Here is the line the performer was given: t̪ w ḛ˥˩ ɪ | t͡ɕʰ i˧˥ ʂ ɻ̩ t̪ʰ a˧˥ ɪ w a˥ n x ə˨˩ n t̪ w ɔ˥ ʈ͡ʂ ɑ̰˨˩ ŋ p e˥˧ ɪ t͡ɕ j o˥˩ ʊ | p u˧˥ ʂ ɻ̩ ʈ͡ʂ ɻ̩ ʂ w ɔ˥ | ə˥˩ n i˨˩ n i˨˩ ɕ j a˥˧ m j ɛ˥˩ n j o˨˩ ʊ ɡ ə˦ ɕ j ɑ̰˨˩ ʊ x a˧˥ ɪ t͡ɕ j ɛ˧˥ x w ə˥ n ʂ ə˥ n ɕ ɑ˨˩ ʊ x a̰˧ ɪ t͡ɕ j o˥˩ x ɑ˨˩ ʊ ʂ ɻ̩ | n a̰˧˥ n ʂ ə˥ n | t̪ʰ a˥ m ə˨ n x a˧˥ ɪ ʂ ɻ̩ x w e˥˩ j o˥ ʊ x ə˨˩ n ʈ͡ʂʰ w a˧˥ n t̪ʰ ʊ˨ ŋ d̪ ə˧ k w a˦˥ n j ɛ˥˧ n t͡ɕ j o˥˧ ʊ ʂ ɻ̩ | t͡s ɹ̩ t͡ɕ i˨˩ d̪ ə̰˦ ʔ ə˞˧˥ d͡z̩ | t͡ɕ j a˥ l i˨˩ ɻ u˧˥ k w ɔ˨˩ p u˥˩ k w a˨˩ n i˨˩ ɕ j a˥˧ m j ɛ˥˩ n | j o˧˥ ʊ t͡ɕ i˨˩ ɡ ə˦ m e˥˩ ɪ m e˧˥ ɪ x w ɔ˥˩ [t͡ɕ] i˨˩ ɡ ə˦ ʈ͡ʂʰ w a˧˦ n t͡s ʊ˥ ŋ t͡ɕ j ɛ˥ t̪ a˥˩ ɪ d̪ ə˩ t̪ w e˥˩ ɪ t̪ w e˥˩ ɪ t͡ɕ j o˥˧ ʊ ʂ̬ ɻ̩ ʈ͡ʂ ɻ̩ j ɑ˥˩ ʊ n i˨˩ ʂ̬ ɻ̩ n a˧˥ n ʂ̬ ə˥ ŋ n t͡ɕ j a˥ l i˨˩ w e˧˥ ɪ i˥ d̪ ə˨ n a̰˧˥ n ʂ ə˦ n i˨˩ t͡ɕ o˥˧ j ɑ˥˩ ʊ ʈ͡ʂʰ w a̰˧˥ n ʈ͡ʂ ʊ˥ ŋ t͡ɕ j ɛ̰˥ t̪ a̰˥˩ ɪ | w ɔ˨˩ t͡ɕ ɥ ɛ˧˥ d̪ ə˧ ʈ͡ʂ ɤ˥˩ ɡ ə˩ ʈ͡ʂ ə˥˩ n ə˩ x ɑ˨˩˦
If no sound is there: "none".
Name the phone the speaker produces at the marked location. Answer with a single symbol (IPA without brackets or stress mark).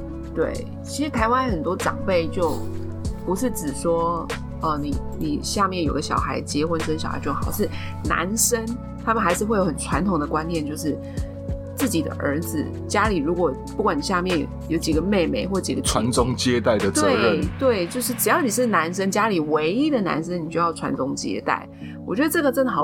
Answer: t͡ɕ